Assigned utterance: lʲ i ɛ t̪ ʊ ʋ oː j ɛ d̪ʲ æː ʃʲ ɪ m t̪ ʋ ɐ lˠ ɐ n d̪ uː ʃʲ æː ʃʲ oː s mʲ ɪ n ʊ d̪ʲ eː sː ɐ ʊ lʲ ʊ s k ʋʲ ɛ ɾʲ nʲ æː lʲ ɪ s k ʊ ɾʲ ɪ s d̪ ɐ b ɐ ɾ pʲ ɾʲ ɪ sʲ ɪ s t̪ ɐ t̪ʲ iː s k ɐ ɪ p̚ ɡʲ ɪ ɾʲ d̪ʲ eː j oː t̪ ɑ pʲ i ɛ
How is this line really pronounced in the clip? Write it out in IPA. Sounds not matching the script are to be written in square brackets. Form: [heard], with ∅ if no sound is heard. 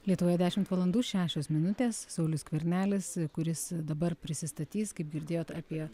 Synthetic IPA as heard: lʲ i ɛ t̪ ʊ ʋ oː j ɛ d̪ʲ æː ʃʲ ɪ m t̪ ʋ ɐ lˠ ɐ n d̪ uː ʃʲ æː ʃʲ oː s mʲ ɪ n ʊ [t̪ʲ] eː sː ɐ ʊ lʲ ʊ s k ʋʲ ɛ ɾʲ nʲ æː lʲ ɪ s k ʊ ɾʲ ɪ s d̪ ɐ b ɐ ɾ pʲ ɾʲ ɪ sʲ ɪ s t̪ ɐ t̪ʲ iː s k ɐ ɪ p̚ ɡʲ ɪ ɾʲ d̪ʲ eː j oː t̪ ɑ pʲ i ɛ